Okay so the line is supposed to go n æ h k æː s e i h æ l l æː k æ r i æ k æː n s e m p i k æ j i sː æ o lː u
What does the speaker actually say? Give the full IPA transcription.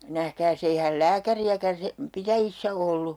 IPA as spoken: n æ h k æː s e i h æ l l æː k æ r i æ k æ n s e m p i t æ j i sː æ o lː u